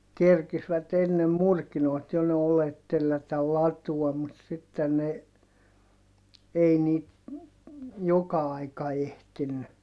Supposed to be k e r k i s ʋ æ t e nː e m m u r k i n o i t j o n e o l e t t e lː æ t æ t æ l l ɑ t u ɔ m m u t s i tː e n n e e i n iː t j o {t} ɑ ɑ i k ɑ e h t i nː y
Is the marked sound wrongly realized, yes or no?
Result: yes